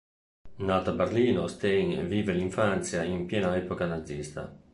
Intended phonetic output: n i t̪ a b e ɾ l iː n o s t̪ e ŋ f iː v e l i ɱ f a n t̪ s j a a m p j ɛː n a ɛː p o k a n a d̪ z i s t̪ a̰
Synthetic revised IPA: n a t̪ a b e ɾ l iː n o s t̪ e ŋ v iː v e l i ɱ f a n t̪ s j a i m p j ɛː n a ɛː p o k a n a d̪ z i s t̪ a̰